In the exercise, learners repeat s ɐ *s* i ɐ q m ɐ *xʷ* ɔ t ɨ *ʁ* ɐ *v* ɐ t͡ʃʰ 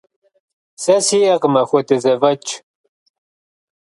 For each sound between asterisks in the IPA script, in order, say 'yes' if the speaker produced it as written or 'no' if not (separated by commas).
yes, yes, no, yes